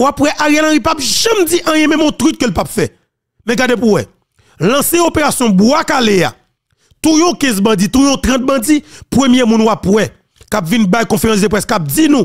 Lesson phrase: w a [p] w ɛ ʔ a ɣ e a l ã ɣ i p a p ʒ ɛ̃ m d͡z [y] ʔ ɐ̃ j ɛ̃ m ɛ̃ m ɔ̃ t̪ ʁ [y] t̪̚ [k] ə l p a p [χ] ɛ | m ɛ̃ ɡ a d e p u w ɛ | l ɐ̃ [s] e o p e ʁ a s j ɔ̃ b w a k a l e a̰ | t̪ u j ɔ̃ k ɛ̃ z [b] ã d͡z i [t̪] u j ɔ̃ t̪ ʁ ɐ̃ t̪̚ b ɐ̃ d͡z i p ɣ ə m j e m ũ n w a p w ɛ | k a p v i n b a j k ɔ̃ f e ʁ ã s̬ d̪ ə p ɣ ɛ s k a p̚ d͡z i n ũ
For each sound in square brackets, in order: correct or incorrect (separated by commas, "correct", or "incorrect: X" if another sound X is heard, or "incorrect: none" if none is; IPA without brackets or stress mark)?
correct, incorrect: i, correct, correct, incorrect: f, correct, correct, correct